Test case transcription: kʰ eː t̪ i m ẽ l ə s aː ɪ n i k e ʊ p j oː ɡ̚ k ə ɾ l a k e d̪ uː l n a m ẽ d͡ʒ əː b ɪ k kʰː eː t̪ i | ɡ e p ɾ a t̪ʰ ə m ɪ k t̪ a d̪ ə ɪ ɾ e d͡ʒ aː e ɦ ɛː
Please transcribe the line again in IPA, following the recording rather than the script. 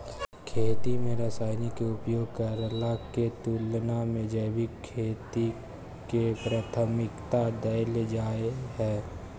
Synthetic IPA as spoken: kʰ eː t̪ i m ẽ ɾ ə s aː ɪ n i k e ʊ p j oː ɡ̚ k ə ɾ l a k e t̪ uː l n a m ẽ d͡ʒ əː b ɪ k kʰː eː t̪ i | k e p ɾ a t̪ʰ ə m ɪ k t̪ a d̪ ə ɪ l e d͡ʒ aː e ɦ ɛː